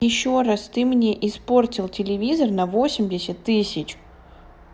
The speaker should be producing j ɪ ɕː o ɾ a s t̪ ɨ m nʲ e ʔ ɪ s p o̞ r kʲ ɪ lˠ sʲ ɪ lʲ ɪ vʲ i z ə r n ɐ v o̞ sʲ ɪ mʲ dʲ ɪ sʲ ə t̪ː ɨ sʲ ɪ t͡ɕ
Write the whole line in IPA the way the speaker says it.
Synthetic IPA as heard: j ɪ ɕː o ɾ a s t̪ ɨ m nʲ e ʔ ɪ s p o̞ r tʲ ɪ lˠ tʲ ɪ lʲ ɪ vʲ i z ə r n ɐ v o̞ sʲ ɪ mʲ dʲ ɪ sʲ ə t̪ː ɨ sʲ ɪ t͡ɕ